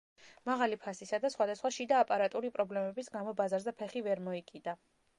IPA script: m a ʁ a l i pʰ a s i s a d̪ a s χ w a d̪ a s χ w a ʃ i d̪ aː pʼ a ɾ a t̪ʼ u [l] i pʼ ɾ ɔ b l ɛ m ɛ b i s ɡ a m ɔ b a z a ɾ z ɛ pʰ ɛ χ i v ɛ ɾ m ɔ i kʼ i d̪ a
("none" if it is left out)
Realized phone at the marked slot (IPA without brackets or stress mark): ɾ